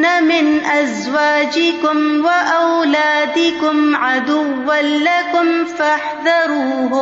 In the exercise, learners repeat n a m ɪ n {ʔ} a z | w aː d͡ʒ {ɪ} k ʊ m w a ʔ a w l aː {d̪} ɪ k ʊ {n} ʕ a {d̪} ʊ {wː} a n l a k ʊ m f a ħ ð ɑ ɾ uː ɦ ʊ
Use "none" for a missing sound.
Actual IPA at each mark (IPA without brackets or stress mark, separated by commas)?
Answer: ʔ, ɪ, d̪, m, d̪, wː